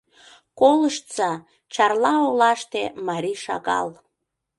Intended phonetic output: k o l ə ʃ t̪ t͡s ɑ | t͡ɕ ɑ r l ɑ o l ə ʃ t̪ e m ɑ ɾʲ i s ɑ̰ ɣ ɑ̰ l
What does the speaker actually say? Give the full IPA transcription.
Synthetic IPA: k o l ə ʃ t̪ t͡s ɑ | t͡ɕ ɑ r l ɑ o l ɑ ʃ t̪ e m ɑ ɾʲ i ʃ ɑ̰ ɣ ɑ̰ l